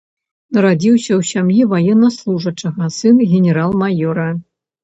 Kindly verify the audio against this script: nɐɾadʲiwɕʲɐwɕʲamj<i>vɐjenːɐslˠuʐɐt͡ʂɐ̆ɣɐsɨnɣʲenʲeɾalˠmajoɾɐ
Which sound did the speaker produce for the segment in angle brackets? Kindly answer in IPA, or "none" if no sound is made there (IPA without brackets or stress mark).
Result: i